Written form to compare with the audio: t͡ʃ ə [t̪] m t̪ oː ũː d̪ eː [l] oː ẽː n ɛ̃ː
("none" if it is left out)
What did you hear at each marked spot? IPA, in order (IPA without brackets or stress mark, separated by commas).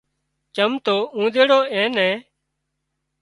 none, ɽ